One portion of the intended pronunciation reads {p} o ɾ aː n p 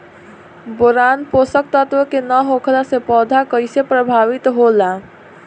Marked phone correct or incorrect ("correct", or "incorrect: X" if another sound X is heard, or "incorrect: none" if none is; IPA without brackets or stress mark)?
incorrect: b